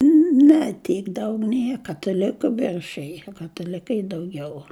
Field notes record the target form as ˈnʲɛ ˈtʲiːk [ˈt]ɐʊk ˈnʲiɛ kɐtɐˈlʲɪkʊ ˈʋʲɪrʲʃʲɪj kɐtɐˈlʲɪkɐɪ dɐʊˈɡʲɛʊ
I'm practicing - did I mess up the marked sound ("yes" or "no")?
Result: yes